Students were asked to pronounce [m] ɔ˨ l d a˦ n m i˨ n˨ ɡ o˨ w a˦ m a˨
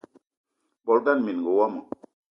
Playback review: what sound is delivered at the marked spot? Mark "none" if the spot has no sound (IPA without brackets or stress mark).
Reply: b